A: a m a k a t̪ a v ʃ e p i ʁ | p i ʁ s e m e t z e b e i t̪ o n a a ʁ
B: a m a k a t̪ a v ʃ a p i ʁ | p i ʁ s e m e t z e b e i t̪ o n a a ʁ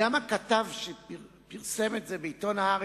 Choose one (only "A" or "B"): A